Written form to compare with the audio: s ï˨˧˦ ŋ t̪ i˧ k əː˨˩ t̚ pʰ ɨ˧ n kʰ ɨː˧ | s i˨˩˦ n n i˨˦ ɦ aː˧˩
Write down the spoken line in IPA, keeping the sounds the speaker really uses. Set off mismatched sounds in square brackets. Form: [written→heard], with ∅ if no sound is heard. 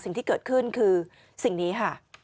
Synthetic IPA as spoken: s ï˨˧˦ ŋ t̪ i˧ k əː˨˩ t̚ [pʰ→kʰ] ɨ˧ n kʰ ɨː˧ | s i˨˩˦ [n→ŋ] n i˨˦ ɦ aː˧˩